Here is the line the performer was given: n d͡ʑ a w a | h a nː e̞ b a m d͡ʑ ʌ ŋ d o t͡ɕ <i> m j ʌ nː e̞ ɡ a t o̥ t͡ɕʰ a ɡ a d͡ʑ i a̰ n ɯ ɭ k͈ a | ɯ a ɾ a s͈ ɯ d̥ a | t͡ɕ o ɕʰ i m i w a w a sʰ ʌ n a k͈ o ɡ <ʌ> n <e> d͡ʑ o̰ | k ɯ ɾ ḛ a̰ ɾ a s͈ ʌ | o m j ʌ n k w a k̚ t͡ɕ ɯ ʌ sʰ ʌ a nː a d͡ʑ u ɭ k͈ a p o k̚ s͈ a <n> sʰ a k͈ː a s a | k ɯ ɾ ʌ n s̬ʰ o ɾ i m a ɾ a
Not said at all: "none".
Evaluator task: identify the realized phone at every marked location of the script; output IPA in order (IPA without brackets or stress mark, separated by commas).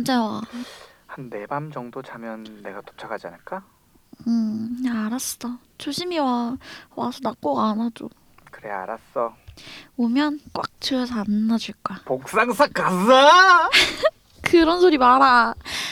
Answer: a, a, a, ŋ